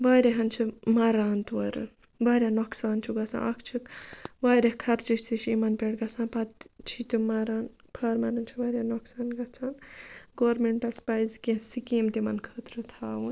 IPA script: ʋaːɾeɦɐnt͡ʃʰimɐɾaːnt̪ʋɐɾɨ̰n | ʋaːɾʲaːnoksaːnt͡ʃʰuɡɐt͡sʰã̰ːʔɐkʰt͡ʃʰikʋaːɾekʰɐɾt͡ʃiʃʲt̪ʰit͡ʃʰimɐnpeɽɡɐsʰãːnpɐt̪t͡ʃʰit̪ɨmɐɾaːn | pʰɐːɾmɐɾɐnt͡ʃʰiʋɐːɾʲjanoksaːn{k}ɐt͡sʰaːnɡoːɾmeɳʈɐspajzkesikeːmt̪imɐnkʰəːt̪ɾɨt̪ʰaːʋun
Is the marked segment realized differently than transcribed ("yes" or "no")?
yes